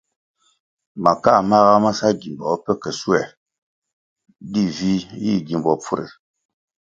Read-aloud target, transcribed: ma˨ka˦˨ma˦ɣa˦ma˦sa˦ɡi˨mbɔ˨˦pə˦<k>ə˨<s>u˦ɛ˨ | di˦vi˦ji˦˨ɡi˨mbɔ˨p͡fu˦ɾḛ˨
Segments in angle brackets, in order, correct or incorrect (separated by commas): correct, correct